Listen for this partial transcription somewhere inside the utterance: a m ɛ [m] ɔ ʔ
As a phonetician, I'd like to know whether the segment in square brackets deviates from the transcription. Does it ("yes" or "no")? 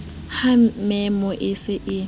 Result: no